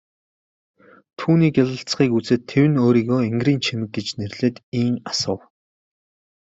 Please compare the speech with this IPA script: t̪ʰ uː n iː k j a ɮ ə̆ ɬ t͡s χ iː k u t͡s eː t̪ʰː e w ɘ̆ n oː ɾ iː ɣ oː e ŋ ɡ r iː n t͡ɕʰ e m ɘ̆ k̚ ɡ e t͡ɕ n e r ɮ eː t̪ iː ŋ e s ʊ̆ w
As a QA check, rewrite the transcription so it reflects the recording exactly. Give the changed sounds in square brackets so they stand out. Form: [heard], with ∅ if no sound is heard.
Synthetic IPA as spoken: t̪ʰ uː n iː k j a ɮ ə̆ ɬ t͡s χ iː k u t͡s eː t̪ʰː e w ɘ̆ n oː ɾ iː ɣ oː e ŋ ɡ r iː n t͡ɕʰ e m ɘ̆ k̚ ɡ e t͡ɕ n e r ɮ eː t̪ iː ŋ [a] s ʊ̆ w